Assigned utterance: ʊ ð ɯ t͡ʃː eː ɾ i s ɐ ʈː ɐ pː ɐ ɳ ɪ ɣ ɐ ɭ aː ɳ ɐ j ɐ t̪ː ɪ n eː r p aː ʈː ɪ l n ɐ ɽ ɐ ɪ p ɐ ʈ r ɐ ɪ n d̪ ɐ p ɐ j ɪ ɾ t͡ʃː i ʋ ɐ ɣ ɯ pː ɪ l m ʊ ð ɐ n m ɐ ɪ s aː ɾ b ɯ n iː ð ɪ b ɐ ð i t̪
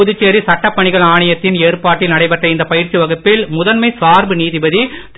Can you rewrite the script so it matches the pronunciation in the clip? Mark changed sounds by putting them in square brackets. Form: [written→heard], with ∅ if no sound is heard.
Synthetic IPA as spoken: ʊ ð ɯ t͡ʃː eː ɾ i s ɐ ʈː ɐ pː ɐ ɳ ɪ ɣ ɐ ɭ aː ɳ ɐ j ɐ t̪ː ɪ n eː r p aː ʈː ɪ l n ɐ ɽ ɐ ɪ p ɐ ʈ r ɐ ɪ n d̪ ɐ p ɐ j ɪ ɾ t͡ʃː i ʋ ɐ ɣ ɯ pː ɪ l m ʊ ð ɐ n m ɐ ɪ s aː ɾ b ɯ n iː ð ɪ b ɐ ð i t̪

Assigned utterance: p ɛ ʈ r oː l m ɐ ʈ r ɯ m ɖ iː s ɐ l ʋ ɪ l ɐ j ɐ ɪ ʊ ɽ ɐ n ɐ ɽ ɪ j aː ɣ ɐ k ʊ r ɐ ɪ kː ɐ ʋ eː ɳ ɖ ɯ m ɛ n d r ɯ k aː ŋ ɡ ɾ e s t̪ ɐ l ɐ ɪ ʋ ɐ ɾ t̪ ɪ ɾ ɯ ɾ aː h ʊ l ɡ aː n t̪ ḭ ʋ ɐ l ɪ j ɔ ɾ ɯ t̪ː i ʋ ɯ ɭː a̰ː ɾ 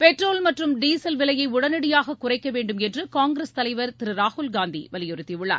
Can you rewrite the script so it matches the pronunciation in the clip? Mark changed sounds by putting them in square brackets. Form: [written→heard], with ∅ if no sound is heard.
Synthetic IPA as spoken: p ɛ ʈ r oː l m ɐ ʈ r ɯ m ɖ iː s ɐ l ʋ ɪ l ɐ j ɐ ɪ ʊ ɽ ɐ n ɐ ɽ ɪ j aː ɣ ɐ k ʊ r ɐ ɪ kː ɐ ʋ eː ɳ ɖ ɯ m ɛ n d r ɯ k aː ŋ ɡ ɾ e s t̪ ɐ l ɐ ɪ ʋ ɐ ɾ t̪ ɪ ɾ ɯ ɾ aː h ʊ l ɡ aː n [t̪→d̪] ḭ ʋ ɐ l ɪ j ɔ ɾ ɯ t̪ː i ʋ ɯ ɭː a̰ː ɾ

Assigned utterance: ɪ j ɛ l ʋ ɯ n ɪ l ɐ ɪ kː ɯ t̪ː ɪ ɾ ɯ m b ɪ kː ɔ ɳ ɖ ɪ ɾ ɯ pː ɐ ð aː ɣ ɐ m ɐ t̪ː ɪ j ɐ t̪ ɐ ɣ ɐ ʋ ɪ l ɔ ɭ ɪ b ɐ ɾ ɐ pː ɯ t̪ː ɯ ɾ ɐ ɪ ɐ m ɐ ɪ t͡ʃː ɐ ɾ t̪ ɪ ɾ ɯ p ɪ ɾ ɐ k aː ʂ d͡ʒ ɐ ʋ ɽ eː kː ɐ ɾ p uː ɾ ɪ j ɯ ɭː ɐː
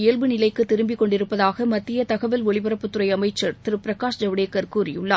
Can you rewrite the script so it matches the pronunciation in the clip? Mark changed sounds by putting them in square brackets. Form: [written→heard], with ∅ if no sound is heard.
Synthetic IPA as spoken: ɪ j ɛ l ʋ ɯ n ɪ l ɐ ɪ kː ɯ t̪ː ɪ ɾ ɯ m b ɪ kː ɔ ɳ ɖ ɪ ɾ ɯ pː ɐ ð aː ɣ ɐ m ɐ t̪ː ɪ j ɐ t̪ ɐ ɣ ɐ ʋ ɪ l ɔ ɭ ɪ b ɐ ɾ ɐ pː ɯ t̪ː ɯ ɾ ɐ ɪ ɐ m ɐ ɪ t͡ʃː ɐ ɾ t̪ ɪ ɾ ɯ p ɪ ɾ ɐ k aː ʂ d͡ʒ ɐ ʋ ɽ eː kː ɐ ɾ [p→k] uː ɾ ɪ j ɯ ɭː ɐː

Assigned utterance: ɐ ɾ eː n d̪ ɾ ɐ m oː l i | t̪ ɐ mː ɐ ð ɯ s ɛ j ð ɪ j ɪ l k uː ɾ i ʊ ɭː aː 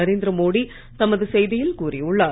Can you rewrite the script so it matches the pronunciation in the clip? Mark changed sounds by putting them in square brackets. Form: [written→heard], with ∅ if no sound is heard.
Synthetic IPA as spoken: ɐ ɾ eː n d̪ ɾ ɐ m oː [l→ɽ] i | t̪ ɐ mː ɐ ð ɯ s ɛ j ð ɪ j ɪ l k uː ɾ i ʊ ɭː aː

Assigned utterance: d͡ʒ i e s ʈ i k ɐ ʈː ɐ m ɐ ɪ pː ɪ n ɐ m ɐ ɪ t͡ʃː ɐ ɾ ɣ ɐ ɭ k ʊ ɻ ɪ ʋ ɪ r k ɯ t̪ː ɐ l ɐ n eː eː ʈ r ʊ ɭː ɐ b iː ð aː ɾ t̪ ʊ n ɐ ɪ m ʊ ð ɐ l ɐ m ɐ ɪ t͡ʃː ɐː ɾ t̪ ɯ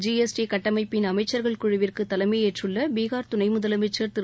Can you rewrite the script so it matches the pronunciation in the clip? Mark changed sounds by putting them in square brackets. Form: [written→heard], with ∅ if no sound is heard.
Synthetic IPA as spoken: d͡ʒ i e s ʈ i k ɐ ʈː ɐ m ɐ ɪ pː ɪ n ɐ m ɐ ɪ t͡ʃː ɐ ɾ ɣ ɐ ɭ k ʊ ɻ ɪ ʋ ɪ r k ɯ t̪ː ɐ l ɐ [n→m] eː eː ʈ r [ʊ→ɯ] ɭː ɐ b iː [ð→ɣ] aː ɾ t̪ ʊ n ɐ ɪ m ʊ ð ɐ l ɐ m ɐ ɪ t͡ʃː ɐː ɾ t̪ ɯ

